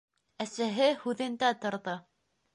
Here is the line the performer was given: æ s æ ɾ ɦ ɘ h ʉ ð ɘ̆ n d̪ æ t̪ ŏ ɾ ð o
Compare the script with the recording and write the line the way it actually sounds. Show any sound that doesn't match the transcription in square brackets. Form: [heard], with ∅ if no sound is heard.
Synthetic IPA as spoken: æ s æ [∅] ɦ ɘ h ʉ ð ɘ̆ n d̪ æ t̪ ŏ ɾ ð [ɤ]

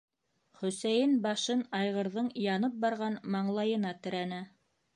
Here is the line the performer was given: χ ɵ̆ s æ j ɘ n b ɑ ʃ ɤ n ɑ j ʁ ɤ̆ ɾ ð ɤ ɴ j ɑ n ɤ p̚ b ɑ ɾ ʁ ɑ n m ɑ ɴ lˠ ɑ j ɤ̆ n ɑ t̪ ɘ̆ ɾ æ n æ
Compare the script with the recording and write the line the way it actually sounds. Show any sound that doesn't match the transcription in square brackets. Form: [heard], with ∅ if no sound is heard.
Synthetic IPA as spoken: χ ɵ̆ s æ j ɘ n b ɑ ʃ ɤ n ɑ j ʁ ɤ̆ ɾ ð ɤ ɴ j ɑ n ɤ p̚ b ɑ ɾ ʁ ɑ n m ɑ ɴ lˠ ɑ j ɤ̆ n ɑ t̪ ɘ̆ ɾ æ n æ

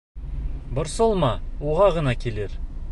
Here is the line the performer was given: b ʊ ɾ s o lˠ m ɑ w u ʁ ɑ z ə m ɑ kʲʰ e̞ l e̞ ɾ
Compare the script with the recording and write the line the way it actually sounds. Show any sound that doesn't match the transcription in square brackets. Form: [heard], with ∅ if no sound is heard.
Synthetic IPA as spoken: b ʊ ɾ s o lˠ m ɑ w [o] ʁ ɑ [ʁ] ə [n] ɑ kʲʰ e̞ l e̞ ɾ

